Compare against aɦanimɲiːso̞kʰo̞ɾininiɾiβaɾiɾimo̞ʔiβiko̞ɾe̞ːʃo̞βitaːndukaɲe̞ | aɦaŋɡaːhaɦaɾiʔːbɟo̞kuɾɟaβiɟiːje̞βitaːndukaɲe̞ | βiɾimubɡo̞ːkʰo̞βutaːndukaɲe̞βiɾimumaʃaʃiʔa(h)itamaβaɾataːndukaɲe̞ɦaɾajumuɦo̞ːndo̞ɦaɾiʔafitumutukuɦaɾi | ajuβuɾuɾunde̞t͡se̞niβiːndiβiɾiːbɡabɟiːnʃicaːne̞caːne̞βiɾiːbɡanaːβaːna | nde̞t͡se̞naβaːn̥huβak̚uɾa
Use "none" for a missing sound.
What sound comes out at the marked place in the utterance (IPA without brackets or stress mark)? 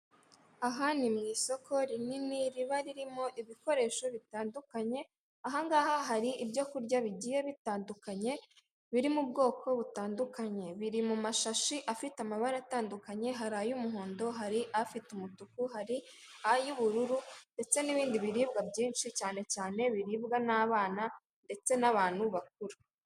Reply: f